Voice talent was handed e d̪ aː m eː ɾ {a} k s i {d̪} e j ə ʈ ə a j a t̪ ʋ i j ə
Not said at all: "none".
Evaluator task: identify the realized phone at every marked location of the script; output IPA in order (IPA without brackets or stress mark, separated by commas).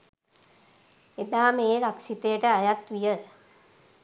a, t̪